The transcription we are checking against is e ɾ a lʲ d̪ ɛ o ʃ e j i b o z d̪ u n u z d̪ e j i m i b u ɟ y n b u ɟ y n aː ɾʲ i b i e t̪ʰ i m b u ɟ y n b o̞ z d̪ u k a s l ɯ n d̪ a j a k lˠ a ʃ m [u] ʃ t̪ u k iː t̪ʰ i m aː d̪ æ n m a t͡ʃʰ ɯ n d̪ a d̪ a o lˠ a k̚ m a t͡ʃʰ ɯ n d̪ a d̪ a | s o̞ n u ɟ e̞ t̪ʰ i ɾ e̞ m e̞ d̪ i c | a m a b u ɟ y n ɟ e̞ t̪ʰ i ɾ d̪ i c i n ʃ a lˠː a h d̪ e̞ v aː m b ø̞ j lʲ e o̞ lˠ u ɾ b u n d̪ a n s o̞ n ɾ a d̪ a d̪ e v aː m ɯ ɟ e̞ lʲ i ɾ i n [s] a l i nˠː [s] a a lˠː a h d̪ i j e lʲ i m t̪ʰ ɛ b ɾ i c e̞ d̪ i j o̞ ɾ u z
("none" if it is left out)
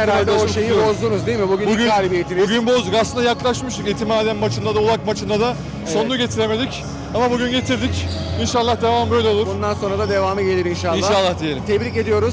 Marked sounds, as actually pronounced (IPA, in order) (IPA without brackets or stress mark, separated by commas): ɯ, ʃ, ʃ